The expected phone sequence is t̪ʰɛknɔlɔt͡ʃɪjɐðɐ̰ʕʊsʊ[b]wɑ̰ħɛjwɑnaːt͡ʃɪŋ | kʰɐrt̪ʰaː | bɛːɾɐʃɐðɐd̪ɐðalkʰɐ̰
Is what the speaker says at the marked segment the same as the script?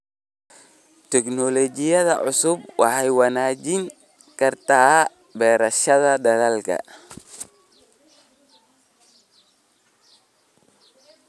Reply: yes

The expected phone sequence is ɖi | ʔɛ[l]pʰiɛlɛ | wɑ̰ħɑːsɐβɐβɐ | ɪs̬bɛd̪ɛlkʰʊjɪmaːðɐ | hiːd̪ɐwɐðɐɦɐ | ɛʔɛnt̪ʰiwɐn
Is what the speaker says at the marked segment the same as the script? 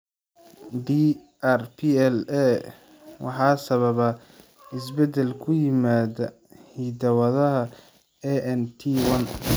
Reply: no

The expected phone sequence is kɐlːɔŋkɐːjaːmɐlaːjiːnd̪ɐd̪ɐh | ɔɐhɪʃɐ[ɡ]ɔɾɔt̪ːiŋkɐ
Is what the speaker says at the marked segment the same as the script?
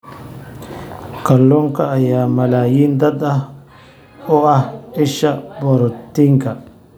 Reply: no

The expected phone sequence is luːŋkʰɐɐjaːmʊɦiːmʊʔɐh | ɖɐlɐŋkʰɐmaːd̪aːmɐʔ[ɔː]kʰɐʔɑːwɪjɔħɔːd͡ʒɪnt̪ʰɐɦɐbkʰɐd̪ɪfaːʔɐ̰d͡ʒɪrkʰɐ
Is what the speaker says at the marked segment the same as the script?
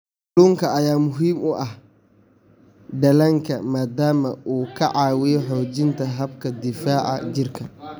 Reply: no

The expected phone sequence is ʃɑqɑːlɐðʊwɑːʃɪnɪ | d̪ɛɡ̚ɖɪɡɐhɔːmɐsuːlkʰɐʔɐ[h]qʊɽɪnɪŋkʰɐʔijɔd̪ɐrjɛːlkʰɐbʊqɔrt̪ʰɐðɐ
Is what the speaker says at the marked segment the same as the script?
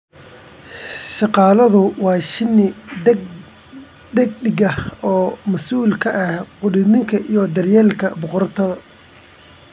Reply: yes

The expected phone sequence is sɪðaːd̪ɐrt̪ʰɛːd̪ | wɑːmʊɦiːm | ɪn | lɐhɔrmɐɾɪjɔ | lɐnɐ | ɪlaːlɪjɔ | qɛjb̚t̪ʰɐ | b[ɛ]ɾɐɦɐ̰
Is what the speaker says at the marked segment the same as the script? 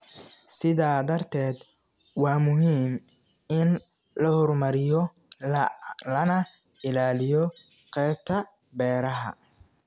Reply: no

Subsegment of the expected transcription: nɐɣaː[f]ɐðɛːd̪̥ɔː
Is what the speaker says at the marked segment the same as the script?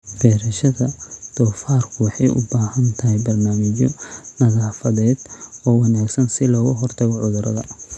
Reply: yes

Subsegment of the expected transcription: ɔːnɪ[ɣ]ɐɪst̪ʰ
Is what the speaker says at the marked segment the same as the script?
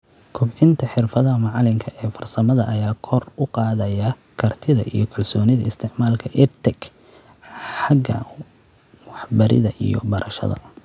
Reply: no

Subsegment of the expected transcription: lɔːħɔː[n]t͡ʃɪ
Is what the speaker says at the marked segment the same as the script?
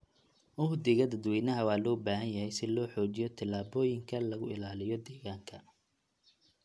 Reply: no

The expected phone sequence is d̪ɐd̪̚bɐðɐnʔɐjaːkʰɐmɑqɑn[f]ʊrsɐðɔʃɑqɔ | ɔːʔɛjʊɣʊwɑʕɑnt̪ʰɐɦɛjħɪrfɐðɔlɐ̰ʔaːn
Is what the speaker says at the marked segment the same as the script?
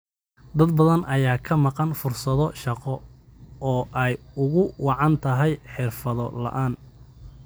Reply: yes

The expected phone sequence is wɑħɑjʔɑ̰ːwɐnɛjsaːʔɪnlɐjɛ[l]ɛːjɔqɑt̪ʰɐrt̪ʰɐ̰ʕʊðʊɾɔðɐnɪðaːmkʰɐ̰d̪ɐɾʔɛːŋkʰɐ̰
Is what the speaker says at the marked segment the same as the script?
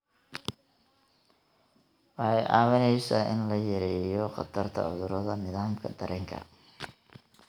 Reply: no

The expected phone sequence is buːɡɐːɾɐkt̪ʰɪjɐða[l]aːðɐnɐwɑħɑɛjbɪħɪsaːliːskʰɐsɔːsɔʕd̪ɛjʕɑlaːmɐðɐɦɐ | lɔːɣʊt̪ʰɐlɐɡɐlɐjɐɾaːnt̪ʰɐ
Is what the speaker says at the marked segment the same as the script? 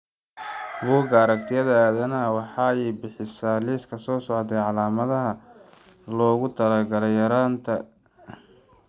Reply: no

